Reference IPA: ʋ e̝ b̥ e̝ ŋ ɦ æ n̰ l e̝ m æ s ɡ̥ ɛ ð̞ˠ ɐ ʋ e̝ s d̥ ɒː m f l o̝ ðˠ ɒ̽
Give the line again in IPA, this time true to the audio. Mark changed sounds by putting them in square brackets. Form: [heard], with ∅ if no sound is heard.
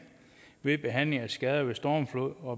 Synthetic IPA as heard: ʋ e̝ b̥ e̝ [∅] ɦ æ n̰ l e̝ [ŋ] æ s ɡ̥ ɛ ð̞ˠ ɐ ʋ e̝ s d̥ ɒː m f l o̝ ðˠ ɒ̽